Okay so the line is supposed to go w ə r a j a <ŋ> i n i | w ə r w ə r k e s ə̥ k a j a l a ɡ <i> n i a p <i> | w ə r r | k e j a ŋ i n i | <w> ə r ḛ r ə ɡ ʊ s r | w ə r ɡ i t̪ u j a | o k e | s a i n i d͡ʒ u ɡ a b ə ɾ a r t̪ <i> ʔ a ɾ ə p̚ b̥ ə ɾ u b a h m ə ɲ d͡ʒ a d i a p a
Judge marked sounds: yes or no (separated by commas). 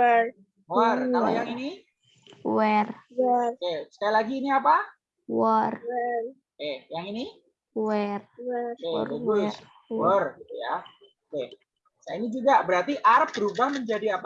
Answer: yes, no, no, yes, yes